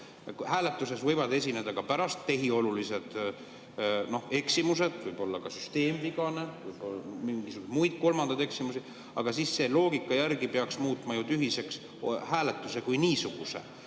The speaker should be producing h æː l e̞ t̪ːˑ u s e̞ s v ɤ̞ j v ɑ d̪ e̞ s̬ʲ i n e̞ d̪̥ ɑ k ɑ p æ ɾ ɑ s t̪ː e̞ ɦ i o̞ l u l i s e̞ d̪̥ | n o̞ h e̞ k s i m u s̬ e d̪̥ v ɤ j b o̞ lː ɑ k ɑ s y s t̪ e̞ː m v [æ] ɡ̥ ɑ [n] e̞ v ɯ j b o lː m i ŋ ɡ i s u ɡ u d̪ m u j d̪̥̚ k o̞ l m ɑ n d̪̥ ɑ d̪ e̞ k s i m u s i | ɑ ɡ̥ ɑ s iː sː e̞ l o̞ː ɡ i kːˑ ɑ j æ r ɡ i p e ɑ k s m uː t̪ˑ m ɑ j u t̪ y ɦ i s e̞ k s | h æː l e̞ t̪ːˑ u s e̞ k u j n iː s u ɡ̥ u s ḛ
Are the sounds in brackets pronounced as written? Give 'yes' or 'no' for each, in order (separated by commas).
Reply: no, yes